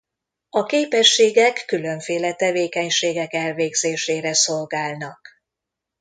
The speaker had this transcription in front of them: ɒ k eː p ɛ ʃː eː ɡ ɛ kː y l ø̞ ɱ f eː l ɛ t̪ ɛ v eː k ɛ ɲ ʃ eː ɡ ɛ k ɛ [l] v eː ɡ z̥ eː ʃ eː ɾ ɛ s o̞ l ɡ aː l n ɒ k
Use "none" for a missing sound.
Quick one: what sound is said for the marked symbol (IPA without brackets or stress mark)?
l